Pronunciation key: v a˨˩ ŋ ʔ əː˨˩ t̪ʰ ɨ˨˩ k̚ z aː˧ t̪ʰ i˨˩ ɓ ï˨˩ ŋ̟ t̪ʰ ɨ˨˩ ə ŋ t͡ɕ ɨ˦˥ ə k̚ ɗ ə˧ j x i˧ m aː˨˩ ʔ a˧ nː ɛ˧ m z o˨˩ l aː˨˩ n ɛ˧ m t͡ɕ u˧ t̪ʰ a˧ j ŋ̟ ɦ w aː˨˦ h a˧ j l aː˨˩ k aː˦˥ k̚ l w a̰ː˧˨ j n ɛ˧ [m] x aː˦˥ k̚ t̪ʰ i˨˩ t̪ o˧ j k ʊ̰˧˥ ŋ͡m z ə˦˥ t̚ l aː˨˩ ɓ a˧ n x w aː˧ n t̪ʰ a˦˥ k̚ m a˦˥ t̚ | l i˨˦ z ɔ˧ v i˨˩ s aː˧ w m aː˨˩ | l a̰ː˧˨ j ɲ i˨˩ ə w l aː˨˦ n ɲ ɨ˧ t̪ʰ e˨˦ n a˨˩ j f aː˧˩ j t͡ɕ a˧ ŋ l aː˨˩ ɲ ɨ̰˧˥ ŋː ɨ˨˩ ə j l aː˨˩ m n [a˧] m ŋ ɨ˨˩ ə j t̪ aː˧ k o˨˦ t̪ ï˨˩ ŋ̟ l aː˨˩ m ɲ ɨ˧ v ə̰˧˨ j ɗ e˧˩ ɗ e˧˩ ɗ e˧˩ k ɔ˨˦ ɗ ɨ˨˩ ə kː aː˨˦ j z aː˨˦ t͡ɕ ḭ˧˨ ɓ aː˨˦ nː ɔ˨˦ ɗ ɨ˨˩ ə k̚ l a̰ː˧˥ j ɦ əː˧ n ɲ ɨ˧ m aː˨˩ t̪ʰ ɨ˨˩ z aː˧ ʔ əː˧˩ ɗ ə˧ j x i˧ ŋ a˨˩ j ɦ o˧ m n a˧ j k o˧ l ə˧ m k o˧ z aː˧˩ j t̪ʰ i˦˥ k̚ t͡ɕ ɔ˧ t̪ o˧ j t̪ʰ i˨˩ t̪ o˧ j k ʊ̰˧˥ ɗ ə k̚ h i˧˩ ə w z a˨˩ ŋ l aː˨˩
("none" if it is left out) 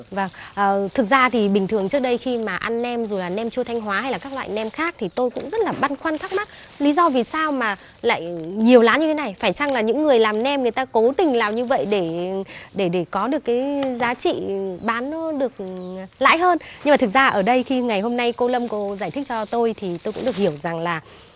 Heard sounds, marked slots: m, ɛ˧

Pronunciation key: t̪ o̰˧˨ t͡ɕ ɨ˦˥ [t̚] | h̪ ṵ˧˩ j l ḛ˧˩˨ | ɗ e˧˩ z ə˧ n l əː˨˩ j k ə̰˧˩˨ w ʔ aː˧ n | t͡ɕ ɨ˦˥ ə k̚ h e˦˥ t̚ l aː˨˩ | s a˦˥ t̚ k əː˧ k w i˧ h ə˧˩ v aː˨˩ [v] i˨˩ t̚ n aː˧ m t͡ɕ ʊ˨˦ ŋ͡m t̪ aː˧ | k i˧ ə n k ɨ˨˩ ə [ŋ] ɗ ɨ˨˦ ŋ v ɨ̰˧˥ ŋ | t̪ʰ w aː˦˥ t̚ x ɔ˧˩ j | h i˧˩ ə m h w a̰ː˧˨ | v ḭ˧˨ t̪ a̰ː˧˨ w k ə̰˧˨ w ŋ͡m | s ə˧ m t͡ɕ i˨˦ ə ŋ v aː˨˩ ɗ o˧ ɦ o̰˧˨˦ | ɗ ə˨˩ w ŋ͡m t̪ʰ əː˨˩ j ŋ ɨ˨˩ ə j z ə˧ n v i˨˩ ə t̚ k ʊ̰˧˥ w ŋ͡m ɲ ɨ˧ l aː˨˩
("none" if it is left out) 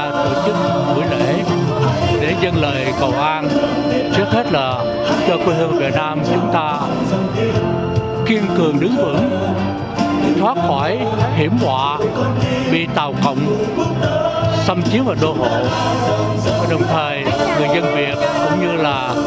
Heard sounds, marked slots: k̚, v, ŋ

